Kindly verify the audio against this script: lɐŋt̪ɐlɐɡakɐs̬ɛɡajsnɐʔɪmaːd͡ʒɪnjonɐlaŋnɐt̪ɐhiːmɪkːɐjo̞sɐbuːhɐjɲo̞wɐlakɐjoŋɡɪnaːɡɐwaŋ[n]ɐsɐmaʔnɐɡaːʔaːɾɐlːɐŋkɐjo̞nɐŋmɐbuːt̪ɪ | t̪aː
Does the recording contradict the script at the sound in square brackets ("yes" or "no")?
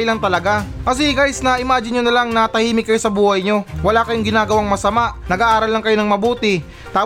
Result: yes